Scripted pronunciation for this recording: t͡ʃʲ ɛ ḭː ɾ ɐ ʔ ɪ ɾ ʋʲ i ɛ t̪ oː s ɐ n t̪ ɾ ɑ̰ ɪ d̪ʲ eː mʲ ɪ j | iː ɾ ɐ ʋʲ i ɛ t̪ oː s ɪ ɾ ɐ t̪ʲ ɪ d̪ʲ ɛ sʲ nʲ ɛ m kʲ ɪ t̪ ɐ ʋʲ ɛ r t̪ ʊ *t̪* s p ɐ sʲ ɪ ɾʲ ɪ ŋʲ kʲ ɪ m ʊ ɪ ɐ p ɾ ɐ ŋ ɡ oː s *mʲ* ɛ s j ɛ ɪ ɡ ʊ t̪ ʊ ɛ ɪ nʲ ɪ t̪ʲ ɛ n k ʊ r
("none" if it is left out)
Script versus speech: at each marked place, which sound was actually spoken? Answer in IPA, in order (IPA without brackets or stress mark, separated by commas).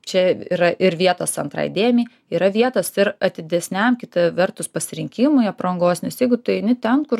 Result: none, nʲ